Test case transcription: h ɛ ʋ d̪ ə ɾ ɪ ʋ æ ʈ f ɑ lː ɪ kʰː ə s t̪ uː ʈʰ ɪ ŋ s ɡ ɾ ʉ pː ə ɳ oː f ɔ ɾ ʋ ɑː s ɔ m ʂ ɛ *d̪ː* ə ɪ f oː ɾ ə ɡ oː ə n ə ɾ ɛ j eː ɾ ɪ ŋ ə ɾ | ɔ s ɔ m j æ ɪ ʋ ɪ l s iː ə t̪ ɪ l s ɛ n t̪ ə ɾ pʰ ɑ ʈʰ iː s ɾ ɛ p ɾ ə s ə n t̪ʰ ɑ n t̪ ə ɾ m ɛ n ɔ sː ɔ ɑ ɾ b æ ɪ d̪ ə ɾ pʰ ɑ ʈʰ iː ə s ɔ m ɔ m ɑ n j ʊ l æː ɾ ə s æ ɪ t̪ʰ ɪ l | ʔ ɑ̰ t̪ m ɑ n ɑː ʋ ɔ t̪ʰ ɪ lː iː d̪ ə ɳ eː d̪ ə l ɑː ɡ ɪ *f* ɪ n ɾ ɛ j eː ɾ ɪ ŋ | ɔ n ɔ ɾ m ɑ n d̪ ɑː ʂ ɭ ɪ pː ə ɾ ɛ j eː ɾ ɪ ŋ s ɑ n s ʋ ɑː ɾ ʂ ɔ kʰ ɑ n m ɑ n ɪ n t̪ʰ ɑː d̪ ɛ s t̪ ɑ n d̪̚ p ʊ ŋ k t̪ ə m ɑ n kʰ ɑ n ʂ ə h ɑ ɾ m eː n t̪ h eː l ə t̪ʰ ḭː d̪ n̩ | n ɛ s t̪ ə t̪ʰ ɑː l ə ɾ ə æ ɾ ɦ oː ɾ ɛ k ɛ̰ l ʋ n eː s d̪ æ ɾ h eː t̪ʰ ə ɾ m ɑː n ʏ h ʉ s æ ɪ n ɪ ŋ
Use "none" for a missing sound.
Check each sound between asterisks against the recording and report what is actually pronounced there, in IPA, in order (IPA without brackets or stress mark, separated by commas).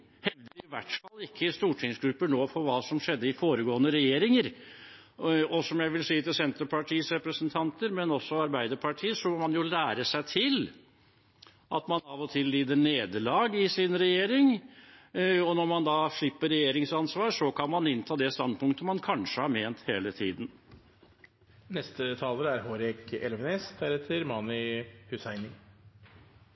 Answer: d̪ː, s